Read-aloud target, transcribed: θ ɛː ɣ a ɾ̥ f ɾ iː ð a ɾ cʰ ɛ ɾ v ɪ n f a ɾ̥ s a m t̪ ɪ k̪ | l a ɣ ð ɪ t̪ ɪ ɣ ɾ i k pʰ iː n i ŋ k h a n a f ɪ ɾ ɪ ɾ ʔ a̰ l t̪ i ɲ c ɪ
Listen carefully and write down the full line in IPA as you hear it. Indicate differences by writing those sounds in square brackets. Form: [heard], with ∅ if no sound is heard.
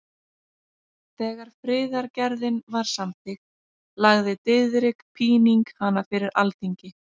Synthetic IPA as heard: θ ɛː ɣ a ɾ̥ f ɾ [ɪː] ð a ɾ [c] ɛ ɾ [ð] ɪ n [v] a ɾ̥ s a m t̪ ɪ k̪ | l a ɣ ð ɪ t̪ ɪ [ð] ɾ [ɪ] k pʰ iː n i ŋ k h a n a f ɪ ɾ ɪ ɾ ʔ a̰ l t̪ i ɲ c ɪ